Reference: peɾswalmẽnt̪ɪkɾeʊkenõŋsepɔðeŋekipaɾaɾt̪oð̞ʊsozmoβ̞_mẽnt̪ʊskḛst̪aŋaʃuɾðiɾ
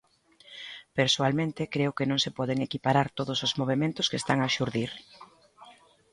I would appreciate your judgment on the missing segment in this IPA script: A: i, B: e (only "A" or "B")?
B